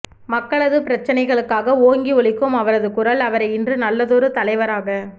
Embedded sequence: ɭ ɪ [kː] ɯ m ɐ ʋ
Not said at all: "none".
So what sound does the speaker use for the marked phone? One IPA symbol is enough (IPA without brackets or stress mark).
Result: kː